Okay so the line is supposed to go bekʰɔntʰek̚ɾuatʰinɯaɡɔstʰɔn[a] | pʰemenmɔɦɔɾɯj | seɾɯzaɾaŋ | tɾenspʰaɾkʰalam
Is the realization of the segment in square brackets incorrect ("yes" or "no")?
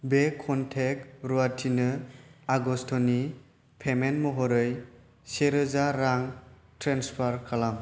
yes